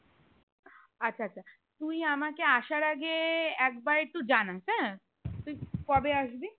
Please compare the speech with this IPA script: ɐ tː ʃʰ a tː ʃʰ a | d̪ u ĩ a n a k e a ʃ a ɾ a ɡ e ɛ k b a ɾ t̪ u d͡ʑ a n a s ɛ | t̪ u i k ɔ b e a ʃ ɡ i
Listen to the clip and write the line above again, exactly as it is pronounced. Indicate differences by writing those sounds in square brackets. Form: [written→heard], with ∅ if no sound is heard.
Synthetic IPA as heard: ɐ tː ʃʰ a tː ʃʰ a | [d̪→t̪] u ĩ a [n→m] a k e a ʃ a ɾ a ɡ e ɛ k b a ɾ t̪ u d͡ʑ a n a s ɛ | t̪ u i k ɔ b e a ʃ [ɡ→b] i